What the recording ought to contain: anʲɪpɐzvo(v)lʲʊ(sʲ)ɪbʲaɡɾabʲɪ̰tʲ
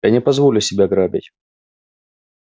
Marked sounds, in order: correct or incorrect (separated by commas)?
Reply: incorrect, correct